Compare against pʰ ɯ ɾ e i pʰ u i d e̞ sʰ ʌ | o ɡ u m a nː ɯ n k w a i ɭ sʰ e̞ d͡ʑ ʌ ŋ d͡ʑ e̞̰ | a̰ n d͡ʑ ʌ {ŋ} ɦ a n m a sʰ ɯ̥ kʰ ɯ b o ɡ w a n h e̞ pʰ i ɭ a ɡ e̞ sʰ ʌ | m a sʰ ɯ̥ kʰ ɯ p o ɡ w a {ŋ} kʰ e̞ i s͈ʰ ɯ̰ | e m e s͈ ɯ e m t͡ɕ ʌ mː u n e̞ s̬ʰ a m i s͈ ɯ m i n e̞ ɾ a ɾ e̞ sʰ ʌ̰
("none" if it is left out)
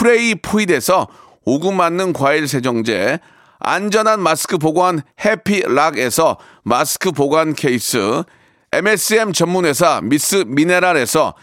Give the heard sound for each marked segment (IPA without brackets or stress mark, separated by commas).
n, n